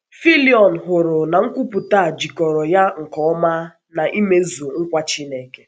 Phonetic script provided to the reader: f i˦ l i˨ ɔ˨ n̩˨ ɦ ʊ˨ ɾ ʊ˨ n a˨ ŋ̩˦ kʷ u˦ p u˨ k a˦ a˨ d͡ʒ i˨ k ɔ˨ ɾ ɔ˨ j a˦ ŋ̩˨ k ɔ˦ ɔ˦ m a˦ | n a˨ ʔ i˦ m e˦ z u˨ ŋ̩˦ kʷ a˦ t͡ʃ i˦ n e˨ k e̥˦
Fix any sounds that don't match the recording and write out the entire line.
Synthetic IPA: f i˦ l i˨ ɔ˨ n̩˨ ɦ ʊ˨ ɾ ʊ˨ n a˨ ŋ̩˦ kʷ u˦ p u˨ t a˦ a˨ d͡ʒ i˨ k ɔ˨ ɾ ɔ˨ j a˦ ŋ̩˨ k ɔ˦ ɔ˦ m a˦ | n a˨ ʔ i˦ m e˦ z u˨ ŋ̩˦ kʷ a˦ t͡ʃ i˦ n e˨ k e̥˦

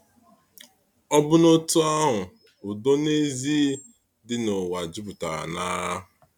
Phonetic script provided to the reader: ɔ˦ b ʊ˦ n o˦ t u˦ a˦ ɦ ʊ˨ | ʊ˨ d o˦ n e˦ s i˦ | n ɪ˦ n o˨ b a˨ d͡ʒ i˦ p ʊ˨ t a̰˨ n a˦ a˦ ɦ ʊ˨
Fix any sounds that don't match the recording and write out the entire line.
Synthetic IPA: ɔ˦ b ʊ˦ n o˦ t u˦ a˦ ɦ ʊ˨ | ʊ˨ d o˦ n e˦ z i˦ | d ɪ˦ n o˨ w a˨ d͡ʒ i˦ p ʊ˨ t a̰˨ n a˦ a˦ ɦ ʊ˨

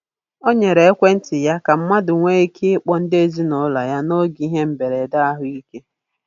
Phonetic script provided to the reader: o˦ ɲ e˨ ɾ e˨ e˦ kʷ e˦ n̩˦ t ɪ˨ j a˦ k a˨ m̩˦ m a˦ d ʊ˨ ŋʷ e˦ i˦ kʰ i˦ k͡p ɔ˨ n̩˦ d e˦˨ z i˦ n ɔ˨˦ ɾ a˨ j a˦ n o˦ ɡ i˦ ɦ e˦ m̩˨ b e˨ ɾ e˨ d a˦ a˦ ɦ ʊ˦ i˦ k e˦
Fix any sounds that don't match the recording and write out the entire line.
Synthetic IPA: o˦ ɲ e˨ ɾ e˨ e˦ kʷ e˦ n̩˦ t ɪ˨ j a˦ k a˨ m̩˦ m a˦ d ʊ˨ ŋʷ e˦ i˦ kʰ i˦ k͡p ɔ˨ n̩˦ d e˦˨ z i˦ n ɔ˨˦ l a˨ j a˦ n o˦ ɡ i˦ ɦ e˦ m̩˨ b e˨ ɾ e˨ d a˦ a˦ ɦ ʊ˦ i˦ k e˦

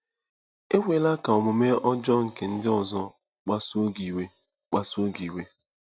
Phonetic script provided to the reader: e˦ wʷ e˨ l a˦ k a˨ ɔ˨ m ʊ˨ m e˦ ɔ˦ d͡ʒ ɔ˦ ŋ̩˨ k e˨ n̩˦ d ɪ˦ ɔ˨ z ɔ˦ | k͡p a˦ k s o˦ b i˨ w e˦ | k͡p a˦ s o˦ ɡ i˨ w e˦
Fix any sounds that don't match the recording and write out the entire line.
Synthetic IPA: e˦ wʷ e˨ l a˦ k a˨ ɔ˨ m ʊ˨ m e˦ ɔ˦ d͡ʒ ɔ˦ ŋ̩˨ k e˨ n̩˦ d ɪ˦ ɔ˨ z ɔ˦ | k͡p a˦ s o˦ ɡ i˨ w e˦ | k͡p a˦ s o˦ ɡ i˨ w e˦

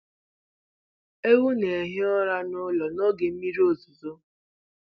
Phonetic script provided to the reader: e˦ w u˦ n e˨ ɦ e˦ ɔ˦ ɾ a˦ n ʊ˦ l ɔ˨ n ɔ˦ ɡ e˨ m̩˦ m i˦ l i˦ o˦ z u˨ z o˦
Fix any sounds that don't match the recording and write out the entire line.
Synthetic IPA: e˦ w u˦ n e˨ ɦ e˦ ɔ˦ ɾ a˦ n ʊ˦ l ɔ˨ n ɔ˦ ɡ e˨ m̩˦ m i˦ ɾ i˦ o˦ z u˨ z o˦

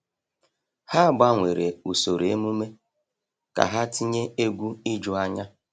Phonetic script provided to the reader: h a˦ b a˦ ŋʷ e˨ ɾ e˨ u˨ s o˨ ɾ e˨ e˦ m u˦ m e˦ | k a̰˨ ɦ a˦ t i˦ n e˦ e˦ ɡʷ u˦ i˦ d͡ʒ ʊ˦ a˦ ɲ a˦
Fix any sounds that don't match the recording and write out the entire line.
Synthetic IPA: h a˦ b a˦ ŋʷ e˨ ɾ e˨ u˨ s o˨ ɾ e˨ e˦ m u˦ m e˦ | k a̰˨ ɦ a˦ t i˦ ɲ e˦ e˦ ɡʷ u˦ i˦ d͡ʒ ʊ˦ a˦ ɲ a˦

